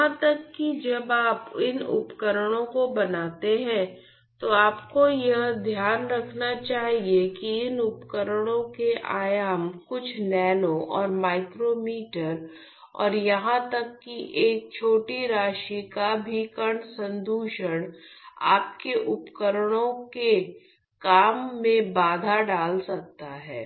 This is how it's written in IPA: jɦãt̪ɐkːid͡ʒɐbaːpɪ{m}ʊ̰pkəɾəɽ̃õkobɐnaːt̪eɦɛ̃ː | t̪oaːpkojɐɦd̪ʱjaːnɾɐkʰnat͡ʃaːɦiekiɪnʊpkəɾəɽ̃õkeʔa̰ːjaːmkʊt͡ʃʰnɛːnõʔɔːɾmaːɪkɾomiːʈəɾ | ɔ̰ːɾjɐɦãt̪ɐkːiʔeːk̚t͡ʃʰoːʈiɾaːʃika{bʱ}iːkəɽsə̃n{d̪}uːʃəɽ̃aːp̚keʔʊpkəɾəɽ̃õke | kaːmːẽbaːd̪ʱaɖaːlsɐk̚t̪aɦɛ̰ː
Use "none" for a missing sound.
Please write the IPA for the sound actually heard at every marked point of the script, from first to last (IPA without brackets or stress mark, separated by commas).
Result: n, bʱ, d̪